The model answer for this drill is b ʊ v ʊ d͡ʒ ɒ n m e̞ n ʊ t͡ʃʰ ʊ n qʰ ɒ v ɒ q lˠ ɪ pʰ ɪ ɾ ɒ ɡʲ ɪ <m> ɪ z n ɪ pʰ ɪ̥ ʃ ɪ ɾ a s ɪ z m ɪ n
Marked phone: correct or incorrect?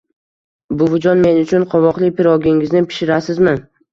incorrect: ŋ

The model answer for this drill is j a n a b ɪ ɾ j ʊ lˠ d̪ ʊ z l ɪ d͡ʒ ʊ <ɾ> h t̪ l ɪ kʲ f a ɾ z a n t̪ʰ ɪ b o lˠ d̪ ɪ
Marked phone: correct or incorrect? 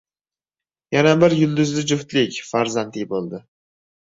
incorrect: none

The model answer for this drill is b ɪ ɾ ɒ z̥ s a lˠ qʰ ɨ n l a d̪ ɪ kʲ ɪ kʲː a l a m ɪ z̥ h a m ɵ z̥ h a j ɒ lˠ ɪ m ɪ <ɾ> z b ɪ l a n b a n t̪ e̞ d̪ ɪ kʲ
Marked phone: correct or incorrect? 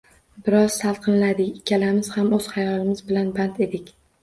incorrect: none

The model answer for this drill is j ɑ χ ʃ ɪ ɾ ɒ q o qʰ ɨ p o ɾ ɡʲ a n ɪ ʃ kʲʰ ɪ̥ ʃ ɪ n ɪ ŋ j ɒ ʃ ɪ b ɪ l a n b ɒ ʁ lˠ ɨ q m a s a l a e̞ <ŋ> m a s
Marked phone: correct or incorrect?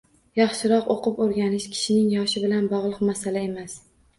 incorrect: none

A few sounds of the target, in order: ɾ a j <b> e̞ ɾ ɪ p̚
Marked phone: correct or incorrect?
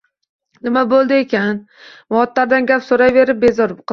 incorrect: v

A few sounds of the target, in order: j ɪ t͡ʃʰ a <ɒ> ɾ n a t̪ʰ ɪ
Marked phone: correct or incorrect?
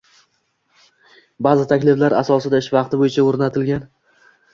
incorrect: o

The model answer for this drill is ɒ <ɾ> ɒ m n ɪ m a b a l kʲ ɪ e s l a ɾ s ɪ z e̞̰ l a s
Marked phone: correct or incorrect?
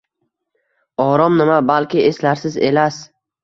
correct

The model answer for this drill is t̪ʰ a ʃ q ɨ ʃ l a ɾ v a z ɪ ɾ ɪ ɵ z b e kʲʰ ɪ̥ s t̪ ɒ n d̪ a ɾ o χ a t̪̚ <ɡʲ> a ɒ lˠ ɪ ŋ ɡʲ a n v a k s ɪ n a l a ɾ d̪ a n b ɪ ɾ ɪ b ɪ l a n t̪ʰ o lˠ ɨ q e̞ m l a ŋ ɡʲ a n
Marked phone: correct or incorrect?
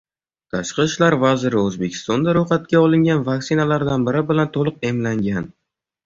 incorrect: kʲ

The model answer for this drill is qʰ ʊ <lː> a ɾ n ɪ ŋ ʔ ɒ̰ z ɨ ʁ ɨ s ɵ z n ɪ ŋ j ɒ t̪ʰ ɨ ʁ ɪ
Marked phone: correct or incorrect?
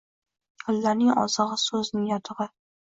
correct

